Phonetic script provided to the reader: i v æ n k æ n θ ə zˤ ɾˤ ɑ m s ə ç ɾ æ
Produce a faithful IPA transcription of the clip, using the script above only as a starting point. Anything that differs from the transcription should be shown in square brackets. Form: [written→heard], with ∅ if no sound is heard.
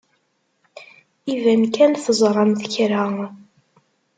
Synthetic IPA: i v æ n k æ n θ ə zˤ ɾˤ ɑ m [s→θ] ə ç ɾ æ